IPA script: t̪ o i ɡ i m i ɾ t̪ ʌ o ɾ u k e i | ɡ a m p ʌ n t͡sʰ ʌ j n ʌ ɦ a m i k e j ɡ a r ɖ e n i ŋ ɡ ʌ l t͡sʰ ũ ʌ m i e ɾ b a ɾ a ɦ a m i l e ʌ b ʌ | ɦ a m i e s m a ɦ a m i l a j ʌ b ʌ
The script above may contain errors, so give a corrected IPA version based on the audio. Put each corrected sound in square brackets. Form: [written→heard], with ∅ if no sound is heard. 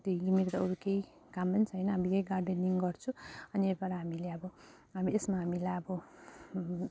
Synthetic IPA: t̪ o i ɡ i m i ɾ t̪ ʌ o ɾ u k e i | [ɡ→k] a m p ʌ n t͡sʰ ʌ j n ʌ ɦ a m i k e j ɡ a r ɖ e n i ŋ ɡ ʌ [l→r] t͡sʰ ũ ʌ [m→n] i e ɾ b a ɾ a ɦ a m i l e ʌ b ʌ | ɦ a m i e s m a ɦ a m i l a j ʌ b ʌ